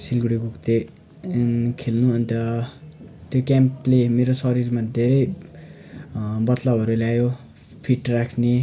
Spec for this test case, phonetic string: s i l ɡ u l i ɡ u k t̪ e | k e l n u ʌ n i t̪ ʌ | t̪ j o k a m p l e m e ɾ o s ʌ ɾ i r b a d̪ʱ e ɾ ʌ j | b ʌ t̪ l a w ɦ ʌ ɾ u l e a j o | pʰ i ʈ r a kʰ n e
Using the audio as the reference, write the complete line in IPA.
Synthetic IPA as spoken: s i l ɡ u ɽ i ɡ u k t̪ e | kʰ e l n u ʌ n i t̪ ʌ | t̪ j o k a m p l e m e ɾ o s ʌ ɾ i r m a d̪ʱ e ɾ ʌ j | b ʌ t̪ l a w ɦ ʌ ɾ u l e a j o | pʰ i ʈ r a kʰ n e

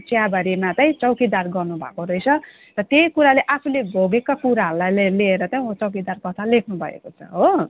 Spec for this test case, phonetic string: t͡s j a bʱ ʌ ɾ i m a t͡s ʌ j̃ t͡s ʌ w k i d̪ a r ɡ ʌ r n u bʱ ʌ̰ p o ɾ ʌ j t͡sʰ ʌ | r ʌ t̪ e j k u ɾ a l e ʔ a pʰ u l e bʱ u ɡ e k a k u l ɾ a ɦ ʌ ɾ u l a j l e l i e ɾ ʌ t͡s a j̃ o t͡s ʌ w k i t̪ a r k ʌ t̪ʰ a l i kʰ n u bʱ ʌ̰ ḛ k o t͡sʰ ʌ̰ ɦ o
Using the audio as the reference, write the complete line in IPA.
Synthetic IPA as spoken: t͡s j a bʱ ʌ ɾ i m a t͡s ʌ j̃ t͡s ʌ w k i d̪ a r ɡ ʌ r n u bʱ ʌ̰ k o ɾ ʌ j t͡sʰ ʌ | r ʌ t̪ e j k u ɾ a l e ʔ a pʰ u l e bʱ o ɡ e k a k u ɾ a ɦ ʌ ɾ u l a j l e l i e ɾ ʌ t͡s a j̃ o t͡s ʌ w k i d̪ a r k ʌ t̪ʰ a l e kʰ n u bʱ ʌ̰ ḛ k o t͡sʰ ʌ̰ ɦ o

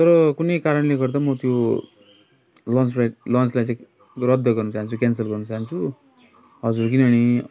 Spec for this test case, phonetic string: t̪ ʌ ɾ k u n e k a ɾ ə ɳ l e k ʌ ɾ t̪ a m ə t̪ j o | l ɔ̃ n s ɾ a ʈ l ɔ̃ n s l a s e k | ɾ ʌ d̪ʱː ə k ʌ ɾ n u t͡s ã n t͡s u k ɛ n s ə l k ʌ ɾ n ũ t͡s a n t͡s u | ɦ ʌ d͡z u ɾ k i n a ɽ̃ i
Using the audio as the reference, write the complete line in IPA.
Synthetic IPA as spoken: t̪ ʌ ɾ k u n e k a ɾ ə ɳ l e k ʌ ɾ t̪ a m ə t̪ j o | l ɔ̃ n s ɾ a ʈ l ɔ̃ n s l a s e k | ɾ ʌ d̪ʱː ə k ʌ ɾ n u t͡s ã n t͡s u k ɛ n s ə l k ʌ ɾ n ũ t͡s a n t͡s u | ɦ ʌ d͡z u ɾ k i n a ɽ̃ i

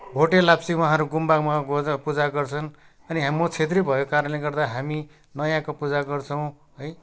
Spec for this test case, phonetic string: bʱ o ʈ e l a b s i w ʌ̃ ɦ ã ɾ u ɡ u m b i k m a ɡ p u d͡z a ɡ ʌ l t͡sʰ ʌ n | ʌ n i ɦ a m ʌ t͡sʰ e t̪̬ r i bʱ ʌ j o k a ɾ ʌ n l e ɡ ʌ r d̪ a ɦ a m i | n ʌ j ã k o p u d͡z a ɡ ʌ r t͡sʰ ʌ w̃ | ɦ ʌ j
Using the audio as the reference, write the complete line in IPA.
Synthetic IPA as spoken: bʱ o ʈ e l a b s i w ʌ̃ ɦ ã ɾ u ɡ u m b a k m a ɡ p u d͡z a ɡ ʌ r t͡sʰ ʌ n | ʌ n i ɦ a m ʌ t͡sʰ e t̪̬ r i bʱ ʌ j o k a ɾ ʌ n l e ɡ ʌ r d̪ a ɦ a m i | n ʌ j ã k o p u d͡z a ɡ ʌ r t͡sʰ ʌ w̃ | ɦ ʌ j

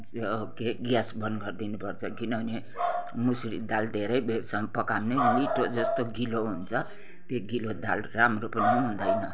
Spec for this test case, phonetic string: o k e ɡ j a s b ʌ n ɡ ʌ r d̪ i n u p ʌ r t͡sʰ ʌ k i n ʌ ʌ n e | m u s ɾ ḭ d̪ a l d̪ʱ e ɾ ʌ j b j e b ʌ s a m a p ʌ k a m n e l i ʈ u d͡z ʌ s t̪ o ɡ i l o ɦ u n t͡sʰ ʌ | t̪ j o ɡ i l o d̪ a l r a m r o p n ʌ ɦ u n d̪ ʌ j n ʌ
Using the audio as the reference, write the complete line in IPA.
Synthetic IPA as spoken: o k e ɡ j a s b ʌ n ɡ ʌ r d̪ i n u p ʌ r t͡sʰ ʌ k i n ʌ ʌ n e | m u s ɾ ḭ d̪ a l d̪ʱ e ɾ ʌ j b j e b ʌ s a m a p ʌ k a m n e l i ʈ o d͡z ʌ s t̪ o ɡ i l o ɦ u n t͡sʰ ʌ | t̪ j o ɡ i l o d̪ a l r a m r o p n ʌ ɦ u n d̪ ʌ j n ʌ

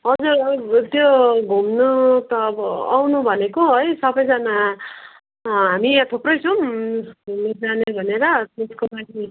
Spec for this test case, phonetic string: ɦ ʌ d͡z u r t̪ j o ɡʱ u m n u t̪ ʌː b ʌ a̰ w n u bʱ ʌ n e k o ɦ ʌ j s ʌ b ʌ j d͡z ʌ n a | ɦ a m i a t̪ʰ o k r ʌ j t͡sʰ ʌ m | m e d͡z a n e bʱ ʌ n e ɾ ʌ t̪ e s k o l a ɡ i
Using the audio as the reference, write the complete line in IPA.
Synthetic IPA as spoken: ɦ ʌ d͡z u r t̪ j o ɡʱ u m n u t̪ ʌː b ʌ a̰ w n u bʱ ʌ n e k o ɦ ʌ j s ʌ b ʌ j d͡z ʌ n a | ɦ a m i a t̪ʰ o p r ʌ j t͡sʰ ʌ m | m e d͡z a n e bʱ ʌ n e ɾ ʌ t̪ e s k o l a ɡ i

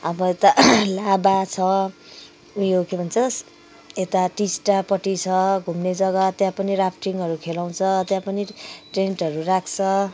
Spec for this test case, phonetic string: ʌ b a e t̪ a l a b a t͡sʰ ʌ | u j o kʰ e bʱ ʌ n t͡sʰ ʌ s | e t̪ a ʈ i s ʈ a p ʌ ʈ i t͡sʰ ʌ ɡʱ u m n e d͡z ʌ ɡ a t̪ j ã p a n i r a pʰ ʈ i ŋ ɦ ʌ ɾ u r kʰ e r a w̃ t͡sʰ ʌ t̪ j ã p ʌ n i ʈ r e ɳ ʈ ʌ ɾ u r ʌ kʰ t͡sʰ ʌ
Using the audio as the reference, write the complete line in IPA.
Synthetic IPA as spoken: ʌ b ʌ e t̪ a l a b a t͡sʰ ʌ | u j o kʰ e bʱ ʌ n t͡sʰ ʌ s | e t̪ a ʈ i s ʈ a p ʌ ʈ i t͡sʰ ʌ ɡʱ u m n e d͡z ʌ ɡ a t̪ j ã p ʌ n i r a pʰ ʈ i ŋ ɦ ʌ ɾ u kʰ e l a w̃ t͡sʰ ʌ t̪ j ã p ʌ n i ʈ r e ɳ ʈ ʌ ɾ u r a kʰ t͡sʰ ʌ

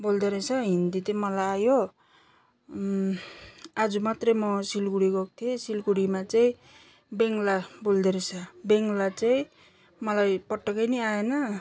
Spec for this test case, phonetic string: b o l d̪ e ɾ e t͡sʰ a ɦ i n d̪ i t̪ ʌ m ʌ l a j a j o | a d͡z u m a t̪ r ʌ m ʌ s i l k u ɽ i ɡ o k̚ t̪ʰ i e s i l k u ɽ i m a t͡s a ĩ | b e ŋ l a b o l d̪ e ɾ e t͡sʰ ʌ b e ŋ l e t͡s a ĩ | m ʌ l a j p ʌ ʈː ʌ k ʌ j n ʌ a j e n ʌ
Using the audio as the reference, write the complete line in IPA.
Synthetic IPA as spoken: b o l d̪ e ɾ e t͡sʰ ʌ ɦ i n d̪ i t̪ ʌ m ʌ l a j a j o | a d͡z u m a t̪ r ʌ m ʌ s i l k u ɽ i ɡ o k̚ t̪ʰ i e s i l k u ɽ i m a t͡s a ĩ | b e ŋ l a b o l d̪ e ɾ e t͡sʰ ʌ b e ŋ l a t͡s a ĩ | m ʌ l a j p ʌ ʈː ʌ k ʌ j n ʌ a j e n ʌ

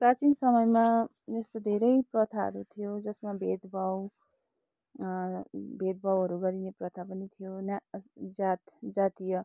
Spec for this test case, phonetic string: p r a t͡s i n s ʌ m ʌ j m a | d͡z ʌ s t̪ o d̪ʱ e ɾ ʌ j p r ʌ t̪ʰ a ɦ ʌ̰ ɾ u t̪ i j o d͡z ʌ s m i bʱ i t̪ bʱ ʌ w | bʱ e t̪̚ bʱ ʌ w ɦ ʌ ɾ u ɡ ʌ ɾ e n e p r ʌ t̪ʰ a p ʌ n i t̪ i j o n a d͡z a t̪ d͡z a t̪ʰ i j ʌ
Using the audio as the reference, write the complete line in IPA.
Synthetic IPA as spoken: p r a t͡s i n s ʌ m ʌ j m a | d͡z ʌ s t̪ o d̪ʱ e ɾ ʌ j p r ʌ t̪ʰ a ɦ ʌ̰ ɾ u t̪ʰ i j o d͡z ʌ s m a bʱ e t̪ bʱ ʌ w | bʱ e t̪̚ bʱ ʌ w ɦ ʌ ɾ u ɡ ʌ ɾ i n e p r ʌ t̪ʰ a p ʌ n i t̪ʰ i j o n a d͡z a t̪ d͡z a t̪ i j ʌ

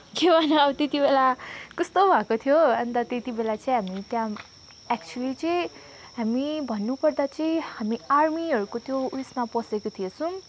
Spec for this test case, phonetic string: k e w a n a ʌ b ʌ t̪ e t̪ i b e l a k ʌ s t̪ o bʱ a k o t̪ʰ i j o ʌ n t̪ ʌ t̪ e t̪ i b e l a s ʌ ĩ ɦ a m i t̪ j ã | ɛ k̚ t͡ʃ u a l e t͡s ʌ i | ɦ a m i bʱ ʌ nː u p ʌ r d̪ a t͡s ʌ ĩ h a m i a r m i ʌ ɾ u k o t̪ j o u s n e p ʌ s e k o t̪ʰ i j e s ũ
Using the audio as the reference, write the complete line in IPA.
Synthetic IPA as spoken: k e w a n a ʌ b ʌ t̪ e t̪ i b e l a k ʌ s t̪ o bʱ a k o t̪ʰ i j o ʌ n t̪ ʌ t̪ e t̪ i b e l a t͡s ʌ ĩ ɦ a m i t̪ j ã | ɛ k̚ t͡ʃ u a l i t͡s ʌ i | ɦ a m i bʱ ʌ nː u p ʌ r d̪ a t͡s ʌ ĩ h a m i a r m i ʌ ɾ u k o t̪ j o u s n a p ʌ s e k o t̪ʰ i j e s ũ

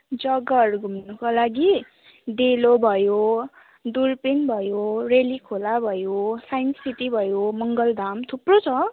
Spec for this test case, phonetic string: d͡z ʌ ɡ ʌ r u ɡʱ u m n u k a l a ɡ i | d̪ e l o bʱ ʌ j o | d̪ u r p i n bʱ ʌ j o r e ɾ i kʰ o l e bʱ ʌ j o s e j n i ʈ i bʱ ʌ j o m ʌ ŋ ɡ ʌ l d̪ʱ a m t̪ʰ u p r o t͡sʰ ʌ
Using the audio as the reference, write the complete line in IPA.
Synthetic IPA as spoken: d͡z ʌ ɡ ʌ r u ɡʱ u m n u k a l a ɡ i | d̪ e l o bʱ ʌ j o | d̪ u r p i n bʱ ʌ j o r e l i kʰ o l a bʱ ʌ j o s a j n i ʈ i bʱ ʌ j o m ʌ ŋ ɡ ʌ l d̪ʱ a m t̪ʰ u p r o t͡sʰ ʌ

